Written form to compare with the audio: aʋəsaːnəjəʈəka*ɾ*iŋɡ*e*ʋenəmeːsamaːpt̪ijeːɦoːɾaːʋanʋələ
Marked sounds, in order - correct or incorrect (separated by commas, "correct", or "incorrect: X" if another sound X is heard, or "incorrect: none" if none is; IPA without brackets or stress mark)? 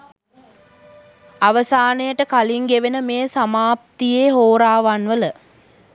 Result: incorrect: l, correct